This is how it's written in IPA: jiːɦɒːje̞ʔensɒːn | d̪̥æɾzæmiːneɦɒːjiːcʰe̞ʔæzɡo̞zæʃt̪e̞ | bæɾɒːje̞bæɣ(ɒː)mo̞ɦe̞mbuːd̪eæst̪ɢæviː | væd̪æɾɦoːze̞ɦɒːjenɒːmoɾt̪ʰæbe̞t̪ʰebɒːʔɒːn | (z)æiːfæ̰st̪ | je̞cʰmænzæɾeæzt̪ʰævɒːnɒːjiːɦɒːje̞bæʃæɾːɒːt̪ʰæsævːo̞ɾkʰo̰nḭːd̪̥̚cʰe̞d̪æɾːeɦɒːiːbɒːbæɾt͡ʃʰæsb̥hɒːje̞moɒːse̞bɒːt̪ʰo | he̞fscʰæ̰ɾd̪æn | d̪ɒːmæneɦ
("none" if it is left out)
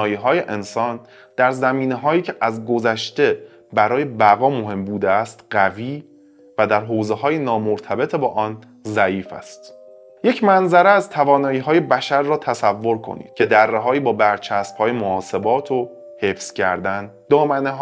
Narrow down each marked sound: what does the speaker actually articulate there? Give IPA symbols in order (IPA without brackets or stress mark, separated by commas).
ɒː, z